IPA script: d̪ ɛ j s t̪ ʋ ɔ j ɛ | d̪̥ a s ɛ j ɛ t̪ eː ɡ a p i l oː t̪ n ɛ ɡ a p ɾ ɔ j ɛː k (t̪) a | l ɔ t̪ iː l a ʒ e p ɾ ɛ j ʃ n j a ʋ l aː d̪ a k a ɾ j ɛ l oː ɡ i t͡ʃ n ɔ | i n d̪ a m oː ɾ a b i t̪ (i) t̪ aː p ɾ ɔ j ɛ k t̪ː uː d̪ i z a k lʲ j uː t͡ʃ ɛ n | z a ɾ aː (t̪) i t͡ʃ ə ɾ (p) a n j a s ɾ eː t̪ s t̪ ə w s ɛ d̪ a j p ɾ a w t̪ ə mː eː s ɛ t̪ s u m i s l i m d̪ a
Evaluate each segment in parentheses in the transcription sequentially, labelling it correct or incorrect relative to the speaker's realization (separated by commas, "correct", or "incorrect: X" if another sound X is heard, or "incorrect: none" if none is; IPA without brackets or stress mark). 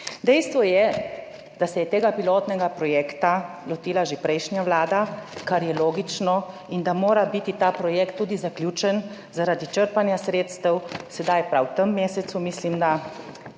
correct, correct, incorrect: d̪, correct